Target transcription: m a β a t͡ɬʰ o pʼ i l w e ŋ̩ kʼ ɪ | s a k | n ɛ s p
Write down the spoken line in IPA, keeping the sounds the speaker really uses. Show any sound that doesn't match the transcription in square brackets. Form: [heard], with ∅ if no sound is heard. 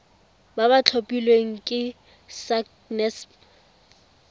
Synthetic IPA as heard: [b] a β a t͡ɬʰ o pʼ i l w e ŋ̩ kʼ ɪ | s a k | n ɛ s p